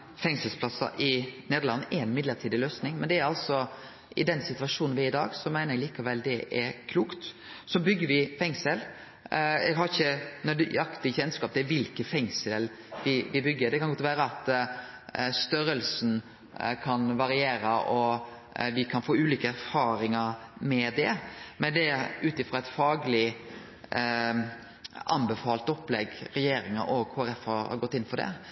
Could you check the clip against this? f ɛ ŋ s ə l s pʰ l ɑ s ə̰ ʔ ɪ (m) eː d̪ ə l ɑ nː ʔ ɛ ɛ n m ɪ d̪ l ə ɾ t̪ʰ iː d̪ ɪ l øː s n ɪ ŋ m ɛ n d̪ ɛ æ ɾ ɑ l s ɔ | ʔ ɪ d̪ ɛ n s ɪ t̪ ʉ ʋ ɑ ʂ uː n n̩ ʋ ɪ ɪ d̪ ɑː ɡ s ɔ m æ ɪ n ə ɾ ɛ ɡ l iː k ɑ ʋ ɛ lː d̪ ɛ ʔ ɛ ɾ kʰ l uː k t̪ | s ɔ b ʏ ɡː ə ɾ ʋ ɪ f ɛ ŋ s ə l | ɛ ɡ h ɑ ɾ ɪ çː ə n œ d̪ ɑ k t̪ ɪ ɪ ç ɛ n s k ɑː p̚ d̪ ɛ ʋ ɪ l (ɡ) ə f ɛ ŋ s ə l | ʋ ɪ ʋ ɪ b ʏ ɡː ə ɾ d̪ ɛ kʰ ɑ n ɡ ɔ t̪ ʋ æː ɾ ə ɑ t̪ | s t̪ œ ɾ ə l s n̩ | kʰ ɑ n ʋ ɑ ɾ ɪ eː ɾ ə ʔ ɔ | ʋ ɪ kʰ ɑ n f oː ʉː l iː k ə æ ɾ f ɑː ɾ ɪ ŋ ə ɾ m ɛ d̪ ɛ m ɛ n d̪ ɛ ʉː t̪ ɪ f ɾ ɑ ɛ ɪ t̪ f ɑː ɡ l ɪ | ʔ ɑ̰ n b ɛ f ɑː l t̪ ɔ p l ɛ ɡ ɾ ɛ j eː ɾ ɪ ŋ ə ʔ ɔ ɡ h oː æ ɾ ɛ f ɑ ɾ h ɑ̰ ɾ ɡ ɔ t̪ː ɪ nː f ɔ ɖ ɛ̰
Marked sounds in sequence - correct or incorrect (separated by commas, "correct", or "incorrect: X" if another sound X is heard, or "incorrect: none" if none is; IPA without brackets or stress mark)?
incorrect: n, incorrect: k